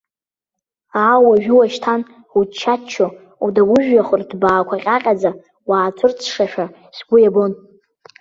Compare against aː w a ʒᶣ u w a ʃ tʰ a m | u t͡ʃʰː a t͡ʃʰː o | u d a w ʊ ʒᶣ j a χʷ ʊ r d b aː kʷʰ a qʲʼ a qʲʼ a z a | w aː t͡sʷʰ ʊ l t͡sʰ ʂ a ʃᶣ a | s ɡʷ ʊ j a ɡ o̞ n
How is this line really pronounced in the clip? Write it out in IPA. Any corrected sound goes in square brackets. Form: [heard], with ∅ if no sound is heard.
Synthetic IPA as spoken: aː w a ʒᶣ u w a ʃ tʰ a [n] | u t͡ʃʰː a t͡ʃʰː o | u d a w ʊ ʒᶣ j a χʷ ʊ r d b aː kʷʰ a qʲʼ a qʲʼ a [d͡z] a | w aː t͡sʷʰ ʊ [r] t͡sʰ ʂ a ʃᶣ a | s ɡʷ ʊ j a [b] o̞ n